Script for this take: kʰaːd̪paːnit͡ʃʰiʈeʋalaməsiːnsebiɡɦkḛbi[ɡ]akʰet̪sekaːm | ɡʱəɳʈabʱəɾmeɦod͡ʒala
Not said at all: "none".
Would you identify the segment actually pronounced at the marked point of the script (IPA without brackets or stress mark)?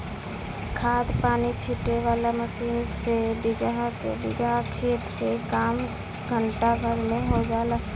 ɡ